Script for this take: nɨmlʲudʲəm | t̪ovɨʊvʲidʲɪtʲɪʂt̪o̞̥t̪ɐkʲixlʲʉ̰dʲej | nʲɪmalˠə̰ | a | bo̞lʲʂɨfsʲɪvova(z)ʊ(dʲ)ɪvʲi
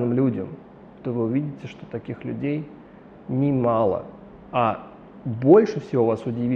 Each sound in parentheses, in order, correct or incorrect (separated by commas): incorrect, correct